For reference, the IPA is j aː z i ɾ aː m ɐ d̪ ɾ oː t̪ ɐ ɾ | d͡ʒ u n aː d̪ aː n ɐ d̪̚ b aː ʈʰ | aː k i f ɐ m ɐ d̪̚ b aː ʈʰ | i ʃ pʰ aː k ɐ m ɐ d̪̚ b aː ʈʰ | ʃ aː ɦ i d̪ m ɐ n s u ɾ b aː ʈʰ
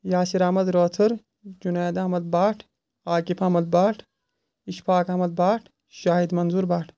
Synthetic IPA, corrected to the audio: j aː s i ɾ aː m ɐ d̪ ɾ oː t̪ʰ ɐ ɾ | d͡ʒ u n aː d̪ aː m ɐ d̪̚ b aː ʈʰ | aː k i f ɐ m ɐ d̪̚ b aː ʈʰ | i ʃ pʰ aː k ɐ m ɐ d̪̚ b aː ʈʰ | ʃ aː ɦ i d̪ m ɐ n z u ɾ b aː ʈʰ